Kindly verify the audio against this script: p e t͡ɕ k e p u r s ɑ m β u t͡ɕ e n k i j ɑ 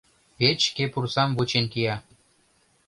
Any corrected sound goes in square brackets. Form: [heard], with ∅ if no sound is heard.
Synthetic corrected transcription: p e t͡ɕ k e p u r s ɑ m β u t͡ɕ e n k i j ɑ